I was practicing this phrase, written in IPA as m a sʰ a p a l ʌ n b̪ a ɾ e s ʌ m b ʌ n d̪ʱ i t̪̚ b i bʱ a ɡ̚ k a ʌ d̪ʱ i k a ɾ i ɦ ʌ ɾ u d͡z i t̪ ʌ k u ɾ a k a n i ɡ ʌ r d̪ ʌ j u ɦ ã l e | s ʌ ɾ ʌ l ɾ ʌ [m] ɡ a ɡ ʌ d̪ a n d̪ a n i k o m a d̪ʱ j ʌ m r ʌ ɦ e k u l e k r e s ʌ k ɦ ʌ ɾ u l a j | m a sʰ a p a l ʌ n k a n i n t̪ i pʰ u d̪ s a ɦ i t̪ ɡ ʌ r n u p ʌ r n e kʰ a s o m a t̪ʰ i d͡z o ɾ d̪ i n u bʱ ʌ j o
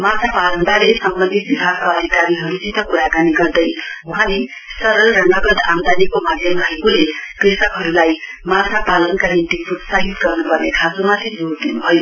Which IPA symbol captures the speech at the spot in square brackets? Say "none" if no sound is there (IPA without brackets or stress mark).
ŋ